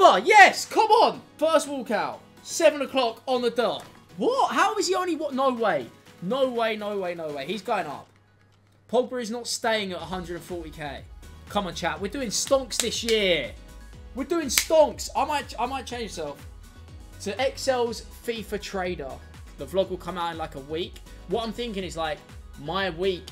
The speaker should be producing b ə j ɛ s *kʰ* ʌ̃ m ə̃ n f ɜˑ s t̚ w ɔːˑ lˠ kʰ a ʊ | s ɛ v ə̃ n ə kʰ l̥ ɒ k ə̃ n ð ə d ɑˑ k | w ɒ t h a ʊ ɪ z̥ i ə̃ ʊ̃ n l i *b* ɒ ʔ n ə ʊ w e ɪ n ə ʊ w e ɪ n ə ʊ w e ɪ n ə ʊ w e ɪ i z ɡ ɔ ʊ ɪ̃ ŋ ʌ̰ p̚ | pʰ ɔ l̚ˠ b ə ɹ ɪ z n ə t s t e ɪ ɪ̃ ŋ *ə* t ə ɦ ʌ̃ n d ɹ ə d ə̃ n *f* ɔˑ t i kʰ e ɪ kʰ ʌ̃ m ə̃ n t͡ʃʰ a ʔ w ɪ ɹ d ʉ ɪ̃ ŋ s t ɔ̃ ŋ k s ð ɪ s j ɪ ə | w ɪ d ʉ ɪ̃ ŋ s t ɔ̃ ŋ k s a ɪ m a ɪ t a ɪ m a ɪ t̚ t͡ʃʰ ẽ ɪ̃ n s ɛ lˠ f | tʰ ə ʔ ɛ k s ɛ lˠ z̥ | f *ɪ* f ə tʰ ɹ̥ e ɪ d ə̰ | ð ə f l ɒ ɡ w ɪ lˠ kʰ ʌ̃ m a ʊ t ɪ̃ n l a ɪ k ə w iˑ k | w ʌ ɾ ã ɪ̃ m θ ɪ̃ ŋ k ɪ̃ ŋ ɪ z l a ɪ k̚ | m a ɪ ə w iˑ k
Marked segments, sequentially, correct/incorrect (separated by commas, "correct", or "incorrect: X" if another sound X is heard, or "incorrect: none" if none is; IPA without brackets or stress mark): correct, incorrect: w, correct, correct, incorrect: i